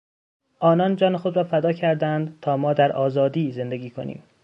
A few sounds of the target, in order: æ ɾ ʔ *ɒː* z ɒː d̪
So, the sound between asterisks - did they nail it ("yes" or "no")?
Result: yes